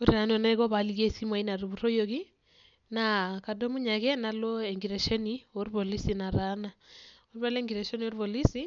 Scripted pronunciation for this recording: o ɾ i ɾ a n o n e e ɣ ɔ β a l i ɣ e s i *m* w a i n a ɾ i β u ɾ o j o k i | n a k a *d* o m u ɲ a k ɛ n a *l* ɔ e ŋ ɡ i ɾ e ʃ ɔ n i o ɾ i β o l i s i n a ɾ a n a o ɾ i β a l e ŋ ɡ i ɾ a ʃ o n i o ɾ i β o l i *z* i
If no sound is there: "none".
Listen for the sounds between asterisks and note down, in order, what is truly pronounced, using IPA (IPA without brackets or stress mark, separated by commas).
m, d, l, s